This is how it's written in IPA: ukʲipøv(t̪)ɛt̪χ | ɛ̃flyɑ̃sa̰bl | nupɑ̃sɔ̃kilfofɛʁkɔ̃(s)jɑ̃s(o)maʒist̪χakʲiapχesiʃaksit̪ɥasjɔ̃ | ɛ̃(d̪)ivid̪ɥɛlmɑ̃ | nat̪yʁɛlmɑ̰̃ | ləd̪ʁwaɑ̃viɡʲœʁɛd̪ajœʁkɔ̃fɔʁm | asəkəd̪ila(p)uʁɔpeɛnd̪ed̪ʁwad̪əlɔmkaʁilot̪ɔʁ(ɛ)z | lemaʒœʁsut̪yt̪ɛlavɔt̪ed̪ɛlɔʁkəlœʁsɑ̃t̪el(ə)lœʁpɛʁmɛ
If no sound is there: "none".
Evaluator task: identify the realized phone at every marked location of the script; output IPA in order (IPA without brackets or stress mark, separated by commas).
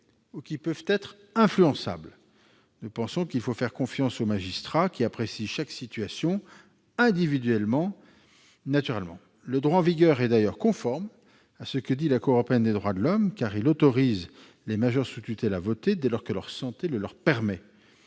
t̪, f, o, d̪, k, i, ə